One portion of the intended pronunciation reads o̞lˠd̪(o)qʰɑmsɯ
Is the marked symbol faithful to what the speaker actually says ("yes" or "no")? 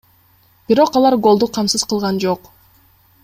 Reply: no